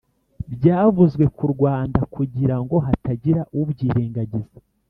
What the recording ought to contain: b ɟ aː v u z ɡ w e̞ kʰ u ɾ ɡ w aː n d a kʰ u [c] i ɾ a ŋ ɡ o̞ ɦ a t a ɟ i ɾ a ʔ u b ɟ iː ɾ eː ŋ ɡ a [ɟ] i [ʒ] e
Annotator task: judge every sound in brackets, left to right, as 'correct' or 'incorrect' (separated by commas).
incorrect, correct, incorrect